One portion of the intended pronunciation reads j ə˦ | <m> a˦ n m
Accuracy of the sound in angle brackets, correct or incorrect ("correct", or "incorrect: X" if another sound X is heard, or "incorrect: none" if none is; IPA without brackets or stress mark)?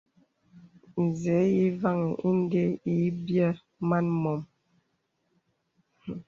correct